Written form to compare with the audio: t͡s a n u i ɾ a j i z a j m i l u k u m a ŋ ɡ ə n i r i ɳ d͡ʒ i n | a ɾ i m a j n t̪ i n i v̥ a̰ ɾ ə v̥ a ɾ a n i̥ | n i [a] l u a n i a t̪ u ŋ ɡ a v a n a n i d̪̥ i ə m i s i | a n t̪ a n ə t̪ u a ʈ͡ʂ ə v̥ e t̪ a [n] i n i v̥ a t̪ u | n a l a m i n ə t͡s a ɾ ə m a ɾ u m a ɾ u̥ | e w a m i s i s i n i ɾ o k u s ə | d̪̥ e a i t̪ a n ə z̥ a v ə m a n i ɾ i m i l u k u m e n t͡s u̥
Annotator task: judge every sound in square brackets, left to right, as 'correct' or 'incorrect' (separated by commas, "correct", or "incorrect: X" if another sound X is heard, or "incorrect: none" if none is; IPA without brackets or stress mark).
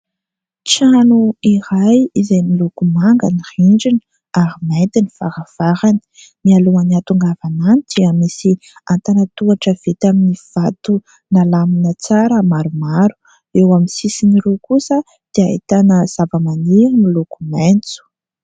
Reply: correct, incorrect: m